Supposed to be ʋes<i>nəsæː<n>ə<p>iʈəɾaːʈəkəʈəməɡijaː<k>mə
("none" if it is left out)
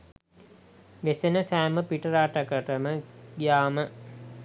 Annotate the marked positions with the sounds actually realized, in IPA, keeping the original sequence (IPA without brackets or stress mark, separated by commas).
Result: e, m, p, none